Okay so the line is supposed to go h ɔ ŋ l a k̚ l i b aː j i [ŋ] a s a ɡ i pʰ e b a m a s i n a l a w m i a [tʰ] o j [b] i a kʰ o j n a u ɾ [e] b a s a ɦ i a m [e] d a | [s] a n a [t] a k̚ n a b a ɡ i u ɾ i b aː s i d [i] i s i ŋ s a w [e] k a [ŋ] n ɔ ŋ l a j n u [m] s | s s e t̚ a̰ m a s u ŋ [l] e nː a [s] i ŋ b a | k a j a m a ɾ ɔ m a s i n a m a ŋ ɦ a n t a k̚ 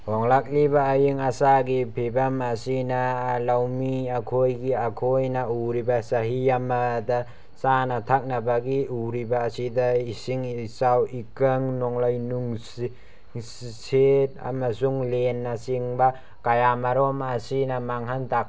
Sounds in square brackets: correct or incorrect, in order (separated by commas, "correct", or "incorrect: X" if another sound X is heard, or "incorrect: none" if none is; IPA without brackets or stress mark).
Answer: correct, incorrect: kʰ, incorrect: ɡ, incorrect: i, incorrect: a, correct, incorrect: tʰ, incorrect: a, incorrect: i, correct, incorrect: ŋ, correct, correct